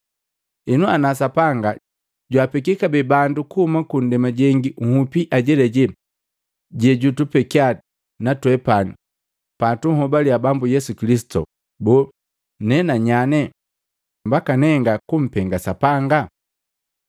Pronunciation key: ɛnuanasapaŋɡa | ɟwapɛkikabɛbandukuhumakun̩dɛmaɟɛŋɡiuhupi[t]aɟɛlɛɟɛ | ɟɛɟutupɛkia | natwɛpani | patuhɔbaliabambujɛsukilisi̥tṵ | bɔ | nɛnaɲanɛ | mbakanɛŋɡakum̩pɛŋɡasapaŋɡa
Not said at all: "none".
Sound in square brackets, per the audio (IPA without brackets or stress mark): ʔ